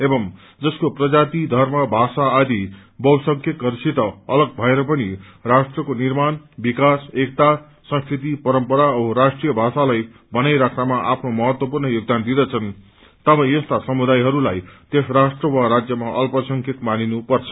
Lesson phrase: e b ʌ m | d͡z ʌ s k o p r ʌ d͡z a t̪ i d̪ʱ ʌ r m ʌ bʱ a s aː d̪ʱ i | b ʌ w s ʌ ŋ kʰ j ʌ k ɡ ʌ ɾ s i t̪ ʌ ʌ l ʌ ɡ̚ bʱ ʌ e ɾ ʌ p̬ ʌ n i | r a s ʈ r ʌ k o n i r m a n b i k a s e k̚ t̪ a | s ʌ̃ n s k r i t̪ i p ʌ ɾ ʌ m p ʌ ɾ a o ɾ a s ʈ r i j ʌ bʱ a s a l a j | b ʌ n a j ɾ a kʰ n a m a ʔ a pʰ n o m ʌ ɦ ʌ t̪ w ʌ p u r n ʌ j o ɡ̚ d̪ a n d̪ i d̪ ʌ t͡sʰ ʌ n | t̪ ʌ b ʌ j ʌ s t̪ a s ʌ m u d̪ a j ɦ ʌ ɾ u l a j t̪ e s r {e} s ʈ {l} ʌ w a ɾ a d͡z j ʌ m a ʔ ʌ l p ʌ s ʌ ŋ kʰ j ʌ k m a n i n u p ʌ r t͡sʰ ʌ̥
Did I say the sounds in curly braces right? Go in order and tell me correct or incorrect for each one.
incorrect, incorrect

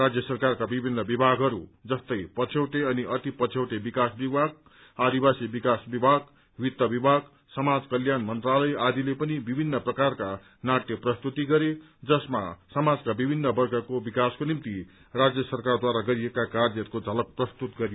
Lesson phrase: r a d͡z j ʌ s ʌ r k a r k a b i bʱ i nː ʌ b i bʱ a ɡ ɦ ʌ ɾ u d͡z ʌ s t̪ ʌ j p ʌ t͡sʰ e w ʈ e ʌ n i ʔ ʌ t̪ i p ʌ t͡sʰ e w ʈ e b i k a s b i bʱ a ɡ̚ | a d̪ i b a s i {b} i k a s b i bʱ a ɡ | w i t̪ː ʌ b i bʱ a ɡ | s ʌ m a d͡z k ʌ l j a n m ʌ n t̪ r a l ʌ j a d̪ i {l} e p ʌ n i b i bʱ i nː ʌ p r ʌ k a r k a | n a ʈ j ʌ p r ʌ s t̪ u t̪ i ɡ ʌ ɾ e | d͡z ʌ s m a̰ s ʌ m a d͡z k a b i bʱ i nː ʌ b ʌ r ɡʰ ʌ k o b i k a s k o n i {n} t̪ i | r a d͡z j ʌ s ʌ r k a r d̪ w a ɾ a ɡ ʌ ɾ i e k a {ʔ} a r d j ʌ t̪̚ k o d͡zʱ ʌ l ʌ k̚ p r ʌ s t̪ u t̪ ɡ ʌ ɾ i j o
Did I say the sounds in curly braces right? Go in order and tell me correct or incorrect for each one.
correct, correct, incorrect, incorrect

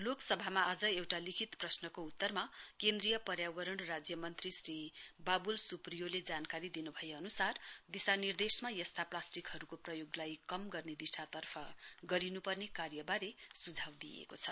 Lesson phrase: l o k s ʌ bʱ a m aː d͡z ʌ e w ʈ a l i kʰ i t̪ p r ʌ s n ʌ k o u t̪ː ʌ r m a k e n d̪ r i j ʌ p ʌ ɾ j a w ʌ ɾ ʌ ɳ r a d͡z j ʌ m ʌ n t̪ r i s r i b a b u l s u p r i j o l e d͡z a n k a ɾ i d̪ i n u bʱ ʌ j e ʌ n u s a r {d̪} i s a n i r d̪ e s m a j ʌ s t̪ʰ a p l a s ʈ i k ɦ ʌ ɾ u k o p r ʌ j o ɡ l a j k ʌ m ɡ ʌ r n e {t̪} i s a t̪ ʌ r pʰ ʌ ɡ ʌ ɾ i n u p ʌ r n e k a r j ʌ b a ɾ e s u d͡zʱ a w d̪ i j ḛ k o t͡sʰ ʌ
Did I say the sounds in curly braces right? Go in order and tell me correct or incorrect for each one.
correct, incorrect

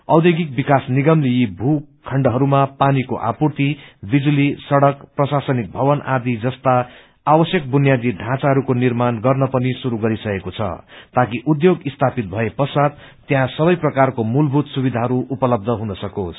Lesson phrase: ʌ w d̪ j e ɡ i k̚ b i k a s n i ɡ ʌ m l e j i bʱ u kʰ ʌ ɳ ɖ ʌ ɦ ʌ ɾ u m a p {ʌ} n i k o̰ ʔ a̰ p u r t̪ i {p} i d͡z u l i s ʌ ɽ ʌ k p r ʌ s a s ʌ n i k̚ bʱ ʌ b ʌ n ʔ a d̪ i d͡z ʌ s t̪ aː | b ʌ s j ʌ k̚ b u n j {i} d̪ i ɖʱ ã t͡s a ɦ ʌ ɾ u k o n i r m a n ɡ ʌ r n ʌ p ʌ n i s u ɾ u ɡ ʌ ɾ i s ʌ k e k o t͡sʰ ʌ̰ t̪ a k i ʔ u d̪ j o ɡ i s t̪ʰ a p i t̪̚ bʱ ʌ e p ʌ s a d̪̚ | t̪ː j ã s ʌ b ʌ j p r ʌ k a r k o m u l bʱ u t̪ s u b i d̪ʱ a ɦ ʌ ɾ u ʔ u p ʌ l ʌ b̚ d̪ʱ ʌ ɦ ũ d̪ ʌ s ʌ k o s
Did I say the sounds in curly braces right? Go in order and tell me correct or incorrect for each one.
incorrect, incorrect, incorrect

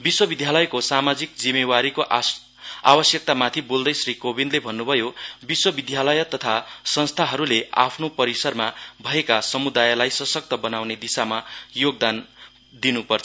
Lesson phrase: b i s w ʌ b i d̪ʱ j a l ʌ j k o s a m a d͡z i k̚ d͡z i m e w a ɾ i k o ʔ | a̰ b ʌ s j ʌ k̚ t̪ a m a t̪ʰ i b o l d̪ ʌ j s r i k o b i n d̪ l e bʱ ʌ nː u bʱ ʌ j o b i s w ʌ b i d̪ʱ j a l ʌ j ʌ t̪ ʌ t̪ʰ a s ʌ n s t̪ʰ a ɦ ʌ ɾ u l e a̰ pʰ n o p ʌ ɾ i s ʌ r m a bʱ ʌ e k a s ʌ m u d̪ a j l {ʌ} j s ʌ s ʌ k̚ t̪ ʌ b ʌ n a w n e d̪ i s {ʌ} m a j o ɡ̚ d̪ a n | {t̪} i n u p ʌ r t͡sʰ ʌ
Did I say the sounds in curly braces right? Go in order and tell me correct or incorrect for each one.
incorrect, incorrect, incorrect

